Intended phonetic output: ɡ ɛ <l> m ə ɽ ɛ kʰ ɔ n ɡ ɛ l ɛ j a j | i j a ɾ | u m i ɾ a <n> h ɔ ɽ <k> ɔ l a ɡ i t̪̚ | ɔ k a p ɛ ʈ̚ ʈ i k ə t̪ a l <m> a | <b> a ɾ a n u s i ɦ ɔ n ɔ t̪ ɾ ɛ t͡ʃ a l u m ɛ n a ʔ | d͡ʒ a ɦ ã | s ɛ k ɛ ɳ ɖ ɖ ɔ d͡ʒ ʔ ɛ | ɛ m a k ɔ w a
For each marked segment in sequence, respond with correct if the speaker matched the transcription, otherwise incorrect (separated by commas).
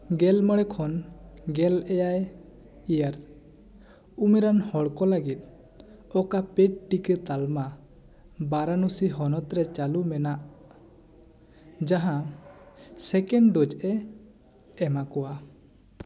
correct, correct, correct, correct, correct